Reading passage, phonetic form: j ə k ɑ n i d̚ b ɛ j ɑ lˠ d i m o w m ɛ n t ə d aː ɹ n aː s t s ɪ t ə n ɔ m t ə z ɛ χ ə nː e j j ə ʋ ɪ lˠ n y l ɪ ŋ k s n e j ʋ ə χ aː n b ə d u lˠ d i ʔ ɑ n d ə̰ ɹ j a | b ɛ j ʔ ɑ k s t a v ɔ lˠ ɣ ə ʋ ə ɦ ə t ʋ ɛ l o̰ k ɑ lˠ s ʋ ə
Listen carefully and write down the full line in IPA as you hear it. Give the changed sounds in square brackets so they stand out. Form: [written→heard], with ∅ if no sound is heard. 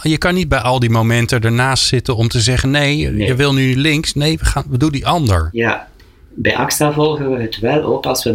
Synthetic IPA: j ə k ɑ n i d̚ b ɛ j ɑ lˠ d i m o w m ɛ n t ə d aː ɹ n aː s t s ɪ t ə n ɔ m t ə z ɛ χ ə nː e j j ə ʋ ɪ lˠ n y l ɪ ŋ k s n e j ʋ ə χ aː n b ə d u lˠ d i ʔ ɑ n d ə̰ ɹ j a | b ɛ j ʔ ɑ k s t a v ɔ lˠ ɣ ə ʋ ə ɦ ə t ʋ ɛ l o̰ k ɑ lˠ s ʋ ə